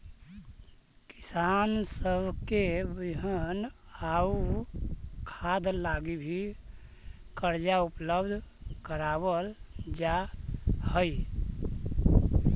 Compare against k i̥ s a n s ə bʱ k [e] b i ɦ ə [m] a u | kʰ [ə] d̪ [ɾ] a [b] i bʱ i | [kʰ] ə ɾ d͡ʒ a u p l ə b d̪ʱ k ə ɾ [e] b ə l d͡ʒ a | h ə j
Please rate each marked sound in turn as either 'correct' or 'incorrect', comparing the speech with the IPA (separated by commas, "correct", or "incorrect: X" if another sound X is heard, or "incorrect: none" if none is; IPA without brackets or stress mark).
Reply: correct, incorrect: n, incorrect: a, incorrect: l, incorrect: ɡ, incorrect: k, incorrect: a